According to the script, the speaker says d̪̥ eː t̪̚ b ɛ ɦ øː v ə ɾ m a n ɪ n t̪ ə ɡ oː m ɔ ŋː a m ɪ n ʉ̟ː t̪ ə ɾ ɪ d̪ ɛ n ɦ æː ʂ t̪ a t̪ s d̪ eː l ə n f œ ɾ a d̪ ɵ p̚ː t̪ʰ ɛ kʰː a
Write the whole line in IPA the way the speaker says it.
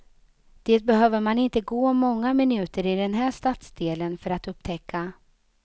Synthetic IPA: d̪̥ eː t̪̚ b ɛ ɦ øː v ə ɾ m a n ɪ n t̪ ə ɡ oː m ɔ ŋː a m ɪ n ʉ̟ː t̪ ə ɾ ɪ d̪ ɛ n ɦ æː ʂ t̪ a t̪ s d̪ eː l ə n f œ ɾ a t̪ ɵ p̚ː t̪ʰ ɛ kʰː a